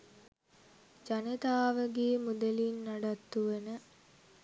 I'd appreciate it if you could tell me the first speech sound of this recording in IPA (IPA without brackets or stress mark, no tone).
d͡ʒ